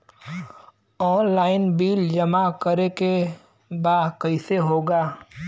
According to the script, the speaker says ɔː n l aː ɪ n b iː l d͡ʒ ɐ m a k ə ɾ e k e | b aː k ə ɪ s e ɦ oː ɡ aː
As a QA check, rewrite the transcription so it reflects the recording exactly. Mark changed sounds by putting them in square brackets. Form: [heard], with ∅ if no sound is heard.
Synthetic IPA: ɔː n l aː ɪ n b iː l d͡ʒ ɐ m a k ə ɾ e k e | b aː k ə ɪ s e ɦ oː ɡ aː